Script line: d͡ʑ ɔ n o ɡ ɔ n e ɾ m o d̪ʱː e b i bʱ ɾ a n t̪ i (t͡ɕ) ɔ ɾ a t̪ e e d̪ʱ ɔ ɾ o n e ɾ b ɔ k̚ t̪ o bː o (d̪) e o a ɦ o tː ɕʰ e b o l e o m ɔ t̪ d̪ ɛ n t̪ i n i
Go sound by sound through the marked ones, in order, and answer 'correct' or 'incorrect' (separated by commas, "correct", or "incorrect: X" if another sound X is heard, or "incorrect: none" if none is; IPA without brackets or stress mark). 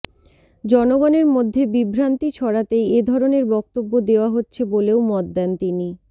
incorrect: t͡ɕʰ, correct